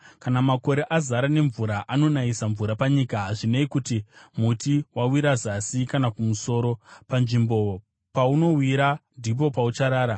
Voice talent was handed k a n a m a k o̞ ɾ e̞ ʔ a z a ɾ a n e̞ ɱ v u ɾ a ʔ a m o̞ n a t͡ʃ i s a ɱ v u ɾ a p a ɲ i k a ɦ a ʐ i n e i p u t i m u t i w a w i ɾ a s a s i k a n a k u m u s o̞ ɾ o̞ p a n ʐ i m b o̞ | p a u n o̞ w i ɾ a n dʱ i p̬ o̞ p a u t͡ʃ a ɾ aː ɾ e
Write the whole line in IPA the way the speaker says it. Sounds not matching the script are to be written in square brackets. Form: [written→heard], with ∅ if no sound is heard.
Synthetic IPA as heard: k a n a m a k o̞ ɾ e̞ ʔ a z a ɾ a n e̞ ɱ v u ɾ a ʔ a [m→n] o̞ n a [t͡ʃ→∅] i s a ɱ v u ɾ a p a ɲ i k a ɦ a ʐ i n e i [p→k] u t i m u t i w a w i ɾ a [s→z] a s i k a n a k u m u s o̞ ɾ o̞ p a n ʐ i m b o̞ | p a u n o̞ w i ɾ a n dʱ i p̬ o̞ p a u t͡ʃ a ɾ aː ɾ [e→a]